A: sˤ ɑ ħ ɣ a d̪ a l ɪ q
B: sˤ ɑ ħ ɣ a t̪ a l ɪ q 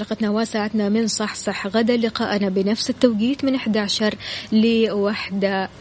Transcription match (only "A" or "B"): A